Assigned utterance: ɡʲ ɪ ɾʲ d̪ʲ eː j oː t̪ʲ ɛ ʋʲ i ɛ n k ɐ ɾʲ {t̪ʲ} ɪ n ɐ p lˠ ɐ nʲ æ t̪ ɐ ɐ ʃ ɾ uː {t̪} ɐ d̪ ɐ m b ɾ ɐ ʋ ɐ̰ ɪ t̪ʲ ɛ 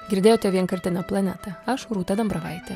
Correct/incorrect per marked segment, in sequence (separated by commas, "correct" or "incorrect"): correct, correct